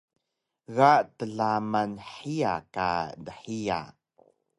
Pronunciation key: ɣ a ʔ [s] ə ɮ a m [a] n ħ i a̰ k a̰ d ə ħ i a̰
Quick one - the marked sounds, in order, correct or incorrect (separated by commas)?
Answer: incorrect, correct